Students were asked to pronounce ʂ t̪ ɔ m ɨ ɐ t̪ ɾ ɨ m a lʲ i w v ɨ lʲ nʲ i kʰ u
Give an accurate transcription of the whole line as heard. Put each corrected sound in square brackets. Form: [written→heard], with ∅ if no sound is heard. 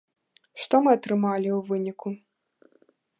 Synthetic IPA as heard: ʂ t̪ ɔ m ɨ ɐ t̪ ɾ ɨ m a lʲ i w v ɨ [lʲ→∅] nʲ i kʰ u